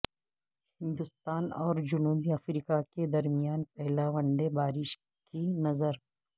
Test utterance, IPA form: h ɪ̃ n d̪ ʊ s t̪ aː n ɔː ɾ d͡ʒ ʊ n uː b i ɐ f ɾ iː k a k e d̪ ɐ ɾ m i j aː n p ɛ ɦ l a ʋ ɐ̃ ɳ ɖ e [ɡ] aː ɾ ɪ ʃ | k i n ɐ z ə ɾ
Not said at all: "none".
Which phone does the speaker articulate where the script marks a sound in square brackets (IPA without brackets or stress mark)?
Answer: b